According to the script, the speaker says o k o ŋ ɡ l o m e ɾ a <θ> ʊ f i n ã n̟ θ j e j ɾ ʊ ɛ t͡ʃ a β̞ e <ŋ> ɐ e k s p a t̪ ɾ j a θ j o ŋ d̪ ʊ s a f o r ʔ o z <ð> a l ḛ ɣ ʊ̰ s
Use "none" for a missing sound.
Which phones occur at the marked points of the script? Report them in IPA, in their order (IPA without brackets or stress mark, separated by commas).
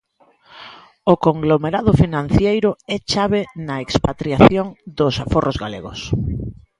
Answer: ð, n, ɣ